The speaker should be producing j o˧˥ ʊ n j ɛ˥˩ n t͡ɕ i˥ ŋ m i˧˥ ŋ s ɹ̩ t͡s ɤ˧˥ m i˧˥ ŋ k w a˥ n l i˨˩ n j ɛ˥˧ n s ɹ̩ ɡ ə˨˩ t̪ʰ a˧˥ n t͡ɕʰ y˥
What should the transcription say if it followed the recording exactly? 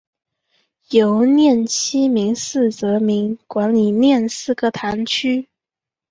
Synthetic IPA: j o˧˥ ʊ n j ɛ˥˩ n t͡ɕʰ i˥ m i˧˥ ŋ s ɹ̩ t͡s ɤ˧˥ m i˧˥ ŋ k w a˧˥ n l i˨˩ n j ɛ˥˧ n s ɹ̩ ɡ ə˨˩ t̪ʰ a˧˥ n t͡ɕʰ y˥

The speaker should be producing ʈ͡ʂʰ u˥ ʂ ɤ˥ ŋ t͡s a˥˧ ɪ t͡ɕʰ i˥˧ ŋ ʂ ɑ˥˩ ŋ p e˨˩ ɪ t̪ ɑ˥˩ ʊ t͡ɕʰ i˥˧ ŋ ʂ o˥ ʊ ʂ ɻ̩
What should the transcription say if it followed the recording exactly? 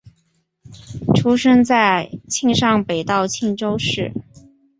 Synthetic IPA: ʈ͡ʂʰ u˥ ʂ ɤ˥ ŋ t͡s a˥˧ ɪ t͡ɕʰ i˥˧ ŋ ʂ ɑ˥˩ ŋ p e˨˩ ɪ t̪ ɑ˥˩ ʊ t͡ɕʰ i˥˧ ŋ ʈ͡ʂ o˥ ʊ ʂ ɻ̩

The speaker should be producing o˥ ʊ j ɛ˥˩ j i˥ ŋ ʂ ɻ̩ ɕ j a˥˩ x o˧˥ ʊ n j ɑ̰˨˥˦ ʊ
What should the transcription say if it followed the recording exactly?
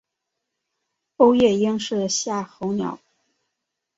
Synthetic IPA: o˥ ʊ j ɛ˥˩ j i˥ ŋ ʂ ɻ̩ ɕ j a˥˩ x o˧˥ ʊ n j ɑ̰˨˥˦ ʊ

